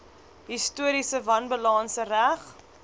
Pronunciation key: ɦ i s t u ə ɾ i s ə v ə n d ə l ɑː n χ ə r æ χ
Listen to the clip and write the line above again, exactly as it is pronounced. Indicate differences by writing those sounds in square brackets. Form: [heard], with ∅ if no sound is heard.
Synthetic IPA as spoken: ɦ i s t u ə ɾ i s ə v [ɐ] n [b] ə l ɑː n [s] ə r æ χ